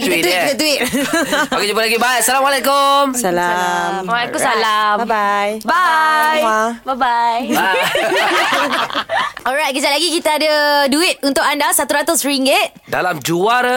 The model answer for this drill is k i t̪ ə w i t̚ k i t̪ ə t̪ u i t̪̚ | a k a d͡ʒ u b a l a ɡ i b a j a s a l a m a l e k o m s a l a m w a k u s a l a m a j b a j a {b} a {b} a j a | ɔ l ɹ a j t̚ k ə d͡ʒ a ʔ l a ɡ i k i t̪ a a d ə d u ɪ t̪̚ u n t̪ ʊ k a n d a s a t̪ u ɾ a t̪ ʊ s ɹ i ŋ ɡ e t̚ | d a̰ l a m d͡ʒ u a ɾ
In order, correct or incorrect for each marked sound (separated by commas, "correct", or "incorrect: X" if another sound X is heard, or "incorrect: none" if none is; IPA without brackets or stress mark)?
correct, correct